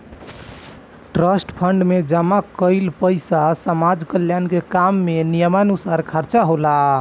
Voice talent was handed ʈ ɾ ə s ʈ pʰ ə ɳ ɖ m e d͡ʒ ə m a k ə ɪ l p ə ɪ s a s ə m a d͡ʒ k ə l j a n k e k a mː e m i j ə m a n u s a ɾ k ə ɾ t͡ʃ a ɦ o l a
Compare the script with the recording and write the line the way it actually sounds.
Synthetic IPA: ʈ ɾ ə s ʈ pʰ ə ɳ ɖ m e d͡ʒ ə m a k ə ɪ l p ə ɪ s a s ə m a d͡ʒ k ə l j a n k e k a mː e n i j ə m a n u s a ɾ kʰ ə ɾ t͡ʃ a ɦ o l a